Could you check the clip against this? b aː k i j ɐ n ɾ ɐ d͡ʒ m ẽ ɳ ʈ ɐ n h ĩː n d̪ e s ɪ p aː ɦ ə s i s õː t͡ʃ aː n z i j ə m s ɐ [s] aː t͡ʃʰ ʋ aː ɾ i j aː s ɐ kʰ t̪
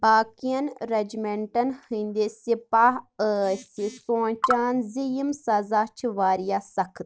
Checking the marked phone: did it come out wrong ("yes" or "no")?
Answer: yes